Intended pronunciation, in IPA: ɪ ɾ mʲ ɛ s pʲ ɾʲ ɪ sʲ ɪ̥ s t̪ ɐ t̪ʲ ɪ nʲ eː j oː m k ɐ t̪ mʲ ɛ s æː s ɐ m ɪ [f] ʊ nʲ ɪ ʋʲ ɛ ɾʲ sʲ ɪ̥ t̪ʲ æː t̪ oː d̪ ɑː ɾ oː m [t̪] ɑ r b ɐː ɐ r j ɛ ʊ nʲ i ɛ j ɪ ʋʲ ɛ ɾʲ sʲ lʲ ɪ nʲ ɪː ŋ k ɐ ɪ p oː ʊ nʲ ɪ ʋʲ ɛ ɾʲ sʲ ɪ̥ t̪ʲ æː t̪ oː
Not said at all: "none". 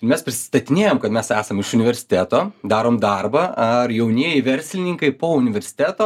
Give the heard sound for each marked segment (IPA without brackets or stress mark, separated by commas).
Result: ʃ, d̪